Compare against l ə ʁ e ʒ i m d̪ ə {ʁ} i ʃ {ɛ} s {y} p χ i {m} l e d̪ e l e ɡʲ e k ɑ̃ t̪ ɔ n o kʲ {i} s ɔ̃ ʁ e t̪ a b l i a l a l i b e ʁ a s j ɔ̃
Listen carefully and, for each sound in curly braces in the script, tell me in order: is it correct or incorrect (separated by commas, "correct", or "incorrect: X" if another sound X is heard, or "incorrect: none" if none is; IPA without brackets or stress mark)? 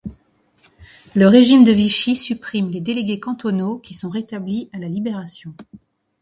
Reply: incorrect: v, incorrect: i, correct, correct, correct